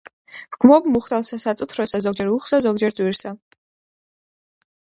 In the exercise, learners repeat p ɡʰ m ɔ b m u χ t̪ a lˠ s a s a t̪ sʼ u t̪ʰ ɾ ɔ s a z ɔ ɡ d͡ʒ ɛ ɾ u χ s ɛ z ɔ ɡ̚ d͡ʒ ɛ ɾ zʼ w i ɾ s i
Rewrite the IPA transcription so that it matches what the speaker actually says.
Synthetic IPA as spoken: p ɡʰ m ɔ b m u χ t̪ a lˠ s a s a t̪ sʼ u t̪ʰ ɾ ɔ s a z ɔ ɡ d͡ʒ ɛ ɾ u χ s a z ɔ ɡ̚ d͡ʒ ɛ ɾ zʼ w i ɾ s a